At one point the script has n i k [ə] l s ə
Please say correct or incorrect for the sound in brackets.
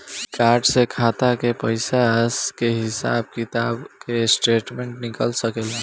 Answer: correct